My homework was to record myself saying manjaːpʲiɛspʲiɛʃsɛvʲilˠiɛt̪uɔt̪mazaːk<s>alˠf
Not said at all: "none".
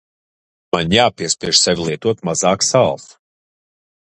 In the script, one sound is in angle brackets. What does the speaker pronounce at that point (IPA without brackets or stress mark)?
s